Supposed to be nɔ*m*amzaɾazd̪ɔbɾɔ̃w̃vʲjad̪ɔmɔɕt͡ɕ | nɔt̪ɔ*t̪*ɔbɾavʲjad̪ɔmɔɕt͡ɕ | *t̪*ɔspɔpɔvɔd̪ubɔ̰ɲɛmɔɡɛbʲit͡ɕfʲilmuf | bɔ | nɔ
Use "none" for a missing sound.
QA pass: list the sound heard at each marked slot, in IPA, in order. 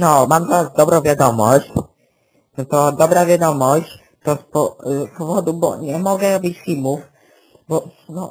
m, d̪, t̪

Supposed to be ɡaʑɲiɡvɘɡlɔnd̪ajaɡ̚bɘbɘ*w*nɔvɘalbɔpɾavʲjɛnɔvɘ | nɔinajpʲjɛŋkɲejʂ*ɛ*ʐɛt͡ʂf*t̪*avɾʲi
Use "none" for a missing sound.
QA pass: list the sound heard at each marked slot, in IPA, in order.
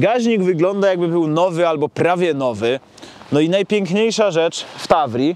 w, a, t̪

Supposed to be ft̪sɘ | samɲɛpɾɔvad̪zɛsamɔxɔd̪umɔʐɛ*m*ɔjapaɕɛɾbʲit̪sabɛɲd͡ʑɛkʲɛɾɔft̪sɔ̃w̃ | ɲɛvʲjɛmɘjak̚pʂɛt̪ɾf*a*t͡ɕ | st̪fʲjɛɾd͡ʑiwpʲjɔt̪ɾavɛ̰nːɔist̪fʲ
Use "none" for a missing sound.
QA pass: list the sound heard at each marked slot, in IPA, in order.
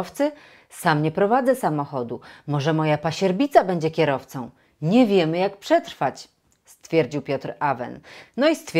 m, a

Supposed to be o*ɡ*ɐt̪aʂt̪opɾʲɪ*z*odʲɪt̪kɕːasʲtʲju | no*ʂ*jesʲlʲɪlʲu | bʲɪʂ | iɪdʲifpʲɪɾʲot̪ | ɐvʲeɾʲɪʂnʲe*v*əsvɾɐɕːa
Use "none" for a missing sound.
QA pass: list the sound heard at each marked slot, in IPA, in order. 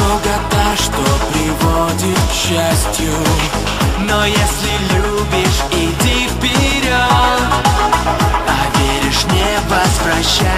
ɡ, v, none, v

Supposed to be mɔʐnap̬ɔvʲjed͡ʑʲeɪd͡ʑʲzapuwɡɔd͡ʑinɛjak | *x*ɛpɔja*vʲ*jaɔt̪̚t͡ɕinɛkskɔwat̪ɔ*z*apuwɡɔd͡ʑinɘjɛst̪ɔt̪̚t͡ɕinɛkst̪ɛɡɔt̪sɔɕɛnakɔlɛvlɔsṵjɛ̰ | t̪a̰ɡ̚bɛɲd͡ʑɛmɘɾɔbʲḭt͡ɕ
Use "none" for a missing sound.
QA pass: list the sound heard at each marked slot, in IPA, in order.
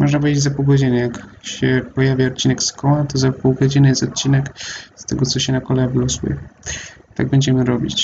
ɕ, vʲ, z

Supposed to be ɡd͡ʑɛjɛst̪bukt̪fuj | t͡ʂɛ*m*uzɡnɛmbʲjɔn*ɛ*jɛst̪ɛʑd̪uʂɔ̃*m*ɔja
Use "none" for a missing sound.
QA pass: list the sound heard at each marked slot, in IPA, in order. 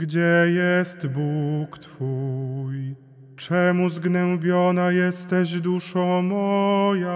m, a, m

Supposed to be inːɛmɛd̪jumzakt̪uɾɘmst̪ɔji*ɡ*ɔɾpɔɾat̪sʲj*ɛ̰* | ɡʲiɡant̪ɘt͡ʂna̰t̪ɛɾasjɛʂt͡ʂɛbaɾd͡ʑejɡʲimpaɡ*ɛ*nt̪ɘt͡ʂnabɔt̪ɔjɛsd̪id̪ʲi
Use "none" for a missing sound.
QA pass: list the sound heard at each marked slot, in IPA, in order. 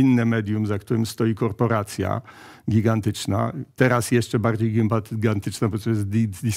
k, a̰, a

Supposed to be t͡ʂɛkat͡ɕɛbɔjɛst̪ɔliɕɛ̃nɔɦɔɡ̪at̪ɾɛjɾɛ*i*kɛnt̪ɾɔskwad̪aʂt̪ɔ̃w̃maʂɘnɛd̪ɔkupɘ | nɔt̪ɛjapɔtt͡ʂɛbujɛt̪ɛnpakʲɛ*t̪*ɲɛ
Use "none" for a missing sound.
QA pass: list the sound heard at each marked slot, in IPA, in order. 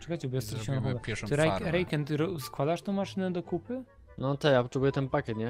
j, t̪

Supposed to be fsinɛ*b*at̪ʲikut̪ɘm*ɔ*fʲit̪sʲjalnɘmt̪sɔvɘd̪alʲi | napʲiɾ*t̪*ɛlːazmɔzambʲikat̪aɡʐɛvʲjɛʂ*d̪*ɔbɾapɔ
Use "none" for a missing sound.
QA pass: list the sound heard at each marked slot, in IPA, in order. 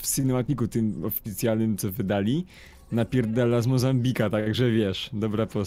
m, ɔ, d̪, d̪

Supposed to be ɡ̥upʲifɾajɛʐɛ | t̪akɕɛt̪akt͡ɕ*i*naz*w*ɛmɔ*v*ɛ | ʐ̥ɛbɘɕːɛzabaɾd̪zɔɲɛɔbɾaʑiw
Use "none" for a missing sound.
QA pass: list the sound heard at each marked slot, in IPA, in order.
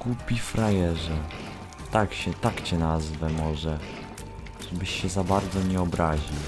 ɛ, v, ʐ

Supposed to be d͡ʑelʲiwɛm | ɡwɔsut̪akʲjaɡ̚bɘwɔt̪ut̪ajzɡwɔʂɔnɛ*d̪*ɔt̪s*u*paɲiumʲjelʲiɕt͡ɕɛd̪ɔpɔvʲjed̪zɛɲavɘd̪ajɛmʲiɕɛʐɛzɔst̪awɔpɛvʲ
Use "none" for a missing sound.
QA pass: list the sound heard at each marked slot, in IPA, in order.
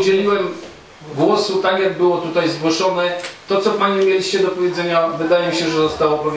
t̪, ɔ

